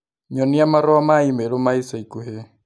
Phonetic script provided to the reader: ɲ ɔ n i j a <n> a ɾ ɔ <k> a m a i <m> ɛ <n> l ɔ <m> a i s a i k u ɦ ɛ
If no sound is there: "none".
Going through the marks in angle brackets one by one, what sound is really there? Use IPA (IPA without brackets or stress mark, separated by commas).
m, none, m, none, m